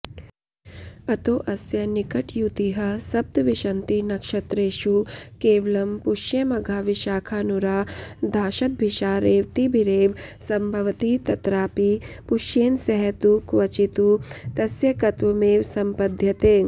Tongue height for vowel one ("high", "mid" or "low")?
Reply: low